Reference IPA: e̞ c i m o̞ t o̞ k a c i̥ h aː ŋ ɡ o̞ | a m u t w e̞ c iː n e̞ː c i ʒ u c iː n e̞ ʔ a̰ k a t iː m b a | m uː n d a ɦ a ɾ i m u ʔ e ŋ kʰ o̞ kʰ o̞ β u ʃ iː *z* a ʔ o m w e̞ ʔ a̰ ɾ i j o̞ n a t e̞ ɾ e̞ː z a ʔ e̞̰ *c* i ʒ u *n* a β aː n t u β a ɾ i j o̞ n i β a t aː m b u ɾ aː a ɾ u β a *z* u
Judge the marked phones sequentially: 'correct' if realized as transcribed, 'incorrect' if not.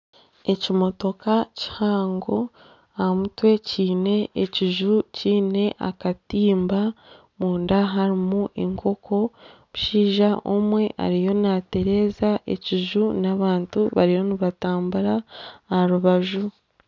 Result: incorrect, correct, correct, incorrect

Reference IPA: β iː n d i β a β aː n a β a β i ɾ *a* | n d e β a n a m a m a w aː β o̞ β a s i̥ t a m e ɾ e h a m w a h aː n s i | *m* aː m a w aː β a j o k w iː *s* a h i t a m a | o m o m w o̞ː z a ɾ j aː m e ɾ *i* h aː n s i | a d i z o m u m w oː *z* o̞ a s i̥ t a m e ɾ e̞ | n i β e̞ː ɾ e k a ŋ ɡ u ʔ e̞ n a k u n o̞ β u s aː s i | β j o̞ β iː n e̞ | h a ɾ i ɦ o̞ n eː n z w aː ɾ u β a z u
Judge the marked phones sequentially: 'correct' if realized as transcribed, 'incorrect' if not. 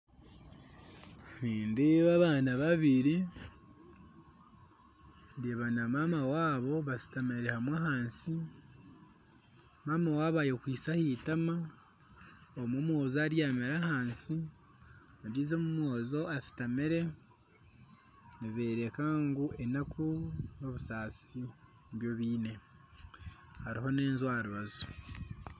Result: incorrect, correct, correct, incorrect, correct

